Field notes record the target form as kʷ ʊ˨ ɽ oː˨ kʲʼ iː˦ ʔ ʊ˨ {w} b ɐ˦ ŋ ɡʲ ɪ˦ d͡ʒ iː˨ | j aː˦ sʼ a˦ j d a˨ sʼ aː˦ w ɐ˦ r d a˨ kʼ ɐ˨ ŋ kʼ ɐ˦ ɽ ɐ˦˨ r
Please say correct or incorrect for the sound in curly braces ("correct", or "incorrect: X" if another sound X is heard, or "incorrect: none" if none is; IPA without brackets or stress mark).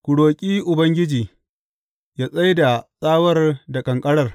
incorrect: none